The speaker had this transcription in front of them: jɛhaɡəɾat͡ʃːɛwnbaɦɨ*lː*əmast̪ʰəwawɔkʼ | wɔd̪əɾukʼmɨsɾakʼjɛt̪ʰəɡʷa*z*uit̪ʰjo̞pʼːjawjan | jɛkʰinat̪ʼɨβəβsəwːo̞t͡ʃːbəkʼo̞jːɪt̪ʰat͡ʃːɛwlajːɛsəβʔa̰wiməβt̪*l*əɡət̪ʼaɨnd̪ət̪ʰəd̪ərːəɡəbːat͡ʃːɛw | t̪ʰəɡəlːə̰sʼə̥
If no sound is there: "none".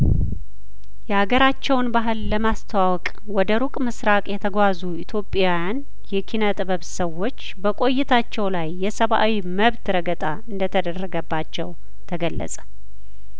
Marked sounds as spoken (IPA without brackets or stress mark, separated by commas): lː, z, ɾ